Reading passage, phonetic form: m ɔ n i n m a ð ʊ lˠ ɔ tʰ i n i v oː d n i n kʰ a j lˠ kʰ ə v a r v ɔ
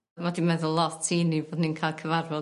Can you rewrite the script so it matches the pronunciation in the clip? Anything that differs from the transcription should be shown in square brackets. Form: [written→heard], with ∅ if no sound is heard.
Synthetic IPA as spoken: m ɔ [n→d] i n m [a→ɛ] ð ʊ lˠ ɔ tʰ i n i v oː d n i n kʰ a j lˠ kʰ ə v a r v ɔ